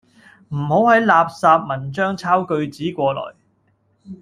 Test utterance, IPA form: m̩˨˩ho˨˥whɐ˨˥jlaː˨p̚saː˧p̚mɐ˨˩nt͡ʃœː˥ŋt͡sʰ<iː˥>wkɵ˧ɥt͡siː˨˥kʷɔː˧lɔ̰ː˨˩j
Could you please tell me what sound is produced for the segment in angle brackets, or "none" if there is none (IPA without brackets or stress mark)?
aː˥